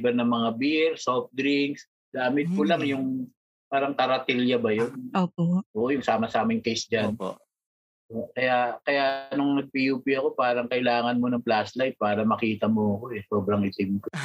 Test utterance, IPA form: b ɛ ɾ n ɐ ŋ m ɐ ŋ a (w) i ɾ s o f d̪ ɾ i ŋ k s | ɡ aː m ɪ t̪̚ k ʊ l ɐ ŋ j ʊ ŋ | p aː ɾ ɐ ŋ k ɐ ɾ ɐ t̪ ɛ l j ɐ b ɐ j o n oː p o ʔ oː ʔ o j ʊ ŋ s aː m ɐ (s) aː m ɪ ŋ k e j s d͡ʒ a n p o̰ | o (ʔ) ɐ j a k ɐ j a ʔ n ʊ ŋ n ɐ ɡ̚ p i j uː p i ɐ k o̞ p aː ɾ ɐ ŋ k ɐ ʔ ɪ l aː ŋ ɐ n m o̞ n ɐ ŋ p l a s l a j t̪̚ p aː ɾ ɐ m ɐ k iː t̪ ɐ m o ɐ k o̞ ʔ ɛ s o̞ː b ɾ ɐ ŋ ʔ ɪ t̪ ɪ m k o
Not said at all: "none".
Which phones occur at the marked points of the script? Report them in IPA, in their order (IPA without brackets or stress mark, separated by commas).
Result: b, s, k